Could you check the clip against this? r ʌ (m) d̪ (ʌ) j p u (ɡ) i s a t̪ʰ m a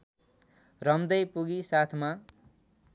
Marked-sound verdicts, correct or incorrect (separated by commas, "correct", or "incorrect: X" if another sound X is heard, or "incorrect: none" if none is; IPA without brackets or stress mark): correct, correct, correct